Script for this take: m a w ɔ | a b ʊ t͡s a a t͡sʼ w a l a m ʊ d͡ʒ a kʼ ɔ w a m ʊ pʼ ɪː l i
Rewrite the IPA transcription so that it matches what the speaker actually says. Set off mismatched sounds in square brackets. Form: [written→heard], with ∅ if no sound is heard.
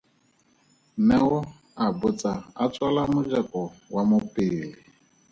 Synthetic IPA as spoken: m [a→ɛ] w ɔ | a b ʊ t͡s a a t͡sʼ w a l a m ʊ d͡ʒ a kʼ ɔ w a m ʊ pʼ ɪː l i